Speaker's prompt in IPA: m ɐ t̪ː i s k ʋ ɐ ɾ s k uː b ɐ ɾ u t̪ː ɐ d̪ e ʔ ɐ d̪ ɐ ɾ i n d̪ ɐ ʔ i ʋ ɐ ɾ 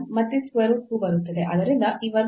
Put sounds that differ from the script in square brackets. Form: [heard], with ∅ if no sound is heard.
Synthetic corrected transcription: m ɐ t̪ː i s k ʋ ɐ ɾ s k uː b ɐ ɾ u t̪ː ɐ d̪ e ʔ ɐ d̪ ɐ ɾ i n d̪ ɐ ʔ i ʋ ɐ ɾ

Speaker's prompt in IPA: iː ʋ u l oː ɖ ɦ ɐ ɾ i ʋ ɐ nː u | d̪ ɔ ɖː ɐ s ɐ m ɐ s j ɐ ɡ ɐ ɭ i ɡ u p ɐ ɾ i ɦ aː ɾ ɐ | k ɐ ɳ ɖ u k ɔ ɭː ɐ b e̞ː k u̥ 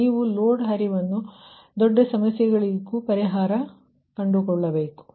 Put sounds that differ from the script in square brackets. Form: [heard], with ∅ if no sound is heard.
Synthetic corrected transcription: iː ʋ u l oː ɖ ɦ ɐ ɾ i ʋ ɐ nː u | d̪ ɔ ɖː ɐ s ɐ m ɐ s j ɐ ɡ ɐ ɭ i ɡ u p ɐ ɾ i ɦ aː ɾ ɐ | k ɐ ɳ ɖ u k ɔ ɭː ɐ b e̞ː k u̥

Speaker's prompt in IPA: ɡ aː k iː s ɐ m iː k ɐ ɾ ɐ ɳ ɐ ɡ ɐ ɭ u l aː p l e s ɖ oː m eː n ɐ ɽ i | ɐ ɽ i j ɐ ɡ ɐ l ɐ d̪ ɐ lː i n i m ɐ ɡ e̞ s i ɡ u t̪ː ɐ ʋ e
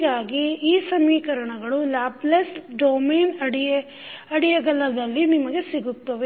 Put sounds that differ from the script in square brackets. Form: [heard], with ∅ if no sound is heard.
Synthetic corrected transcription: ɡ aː [ɡ] iː s ɐ m iː k ɐ ɾ ɐ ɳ ɐ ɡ ɐ ɭ u l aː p l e s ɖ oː m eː n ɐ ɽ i | ɐ ɽ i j ɐ ɡ ɐ l ɐ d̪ ɐ lː i n i m ɐ ɡ e̞ s i ɡ u t̪ː ɐ ʋ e

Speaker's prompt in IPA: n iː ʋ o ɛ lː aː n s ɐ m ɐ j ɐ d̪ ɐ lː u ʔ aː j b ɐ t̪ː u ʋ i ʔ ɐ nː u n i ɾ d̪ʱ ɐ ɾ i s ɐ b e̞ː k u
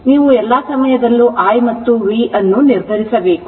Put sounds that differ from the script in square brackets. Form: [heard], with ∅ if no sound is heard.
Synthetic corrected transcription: n iː ʋ [u] ɛ lː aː [∅] s ɐ m ɐ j ɐ d̪ ɐ lː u ʔ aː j [m] ɐ t̪ː u ʋ i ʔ ɐ nː u n i ɾ d̪ʱ ɐ ɾ i s ɐ b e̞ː k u

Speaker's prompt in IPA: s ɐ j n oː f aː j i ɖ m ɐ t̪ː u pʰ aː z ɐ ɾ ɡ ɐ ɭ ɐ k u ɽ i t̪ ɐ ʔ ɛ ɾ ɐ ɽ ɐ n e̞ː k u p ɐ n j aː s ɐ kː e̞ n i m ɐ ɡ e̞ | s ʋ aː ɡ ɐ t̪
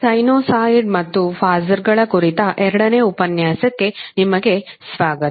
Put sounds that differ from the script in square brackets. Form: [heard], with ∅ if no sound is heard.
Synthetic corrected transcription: s ɐ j n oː [s] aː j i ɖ m ɐ t̪ː u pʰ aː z ɐ ɾ ɡ ɐ ɭ ɐ k u [ɾ] i t̪ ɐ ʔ ɛ ɾ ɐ ɽ ɐ n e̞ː [∅] u p ɐ n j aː s ɐ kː e̞ n i m ɐ ɡ e̞ | s ʋ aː ɡ ɐ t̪

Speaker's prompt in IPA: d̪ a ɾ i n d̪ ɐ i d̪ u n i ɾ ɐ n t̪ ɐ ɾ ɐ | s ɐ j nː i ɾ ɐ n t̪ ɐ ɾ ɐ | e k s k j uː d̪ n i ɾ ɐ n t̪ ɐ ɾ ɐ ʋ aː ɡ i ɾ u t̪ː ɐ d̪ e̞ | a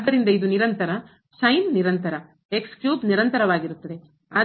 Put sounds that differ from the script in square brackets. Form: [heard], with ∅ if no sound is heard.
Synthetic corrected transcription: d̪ [ɐ] ɾ i n d̪ ɐ i d̪ u n i ɾ ɐ n t̪ ɐ ɾ ɐ | s ɐ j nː i ɾ ɐ n t̪ ɐ ɾ ɐ | e k s k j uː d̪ n i ɾ ɐ n t̪ ɐ ɾ ɐ ʋ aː ɡ i ɾ u t̪ː ɐ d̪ e̞ | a

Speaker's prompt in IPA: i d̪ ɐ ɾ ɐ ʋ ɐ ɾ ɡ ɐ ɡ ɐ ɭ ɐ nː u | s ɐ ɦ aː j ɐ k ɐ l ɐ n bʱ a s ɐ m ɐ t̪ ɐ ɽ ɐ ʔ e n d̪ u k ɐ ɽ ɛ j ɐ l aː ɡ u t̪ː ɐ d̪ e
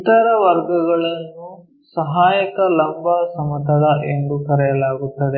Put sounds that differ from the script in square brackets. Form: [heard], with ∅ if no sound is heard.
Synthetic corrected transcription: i [t̪] ɐ ɾ ɐ ʋ ɐ ɾ ɡ ɐ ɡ ɐ ɭ ɐ nː u | s ɐ ɦ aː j ɐ k ɐ l ɐ [m] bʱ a s ɐ m ɐ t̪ ɐ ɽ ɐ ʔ e n d̪ u k ɐ [ɾ] ɛ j ɐ l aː ɡ u t̪ː ɐ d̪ e

